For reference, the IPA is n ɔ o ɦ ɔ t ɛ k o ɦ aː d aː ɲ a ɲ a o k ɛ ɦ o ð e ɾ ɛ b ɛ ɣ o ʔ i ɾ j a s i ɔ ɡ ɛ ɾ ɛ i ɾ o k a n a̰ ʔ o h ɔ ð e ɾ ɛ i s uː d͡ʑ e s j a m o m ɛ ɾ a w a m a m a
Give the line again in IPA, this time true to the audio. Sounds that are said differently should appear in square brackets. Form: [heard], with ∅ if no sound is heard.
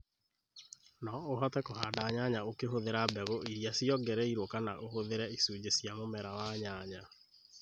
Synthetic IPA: n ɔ o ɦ ɔ t ɛ k o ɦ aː d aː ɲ a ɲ a o k [e] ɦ o ð e ɾ [a] b ɛ ɣ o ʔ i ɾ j a s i ɔ ɡ ɛ ɾ ɛ i ɾ o k a n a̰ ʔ o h [o] ð e ɾ ɛ i s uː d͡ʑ e s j a m o m ɛ ɾ a w a [ɲ] a [ɲ] a